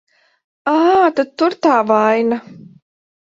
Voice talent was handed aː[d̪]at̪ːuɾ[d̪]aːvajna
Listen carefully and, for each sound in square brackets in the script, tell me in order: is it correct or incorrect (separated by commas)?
incorrect, incorrect